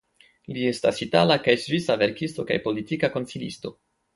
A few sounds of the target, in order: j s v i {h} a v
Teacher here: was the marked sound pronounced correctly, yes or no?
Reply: no